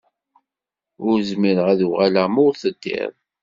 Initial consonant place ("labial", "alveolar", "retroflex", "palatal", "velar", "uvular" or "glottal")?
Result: alveolar